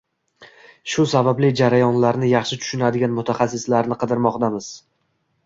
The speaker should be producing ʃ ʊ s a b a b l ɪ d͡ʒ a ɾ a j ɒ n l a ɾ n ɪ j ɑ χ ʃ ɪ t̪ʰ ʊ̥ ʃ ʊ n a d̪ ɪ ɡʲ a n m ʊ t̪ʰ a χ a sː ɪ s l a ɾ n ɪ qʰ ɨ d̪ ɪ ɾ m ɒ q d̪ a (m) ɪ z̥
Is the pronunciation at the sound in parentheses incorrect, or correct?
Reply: correct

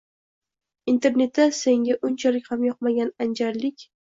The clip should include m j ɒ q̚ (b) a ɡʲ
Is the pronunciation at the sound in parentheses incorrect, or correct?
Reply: incorrect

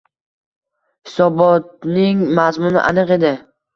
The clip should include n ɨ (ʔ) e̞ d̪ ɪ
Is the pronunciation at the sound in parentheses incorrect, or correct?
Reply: incorrect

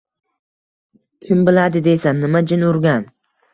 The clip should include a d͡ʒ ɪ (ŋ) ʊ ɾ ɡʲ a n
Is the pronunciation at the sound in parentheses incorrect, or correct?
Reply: incorrect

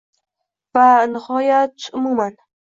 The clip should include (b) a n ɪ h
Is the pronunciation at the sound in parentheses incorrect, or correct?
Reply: incorrect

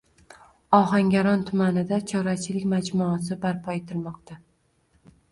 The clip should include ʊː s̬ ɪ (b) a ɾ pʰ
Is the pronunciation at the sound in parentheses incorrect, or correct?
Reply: correct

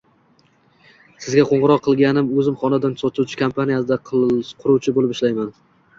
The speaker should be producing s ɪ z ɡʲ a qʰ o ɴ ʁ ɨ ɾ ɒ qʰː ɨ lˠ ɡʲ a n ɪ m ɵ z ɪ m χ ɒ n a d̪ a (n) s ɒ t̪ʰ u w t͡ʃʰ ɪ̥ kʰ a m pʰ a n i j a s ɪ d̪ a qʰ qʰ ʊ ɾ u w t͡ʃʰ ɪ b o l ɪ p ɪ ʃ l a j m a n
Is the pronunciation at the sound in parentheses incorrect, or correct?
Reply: correct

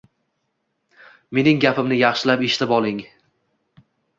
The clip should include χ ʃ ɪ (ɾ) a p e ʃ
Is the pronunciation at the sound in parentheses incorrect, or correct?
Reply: incorrect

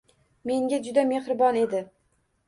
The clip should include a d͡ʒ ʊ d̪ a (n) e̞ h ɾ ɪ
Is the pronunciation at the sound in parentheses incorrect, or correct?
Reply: incorrect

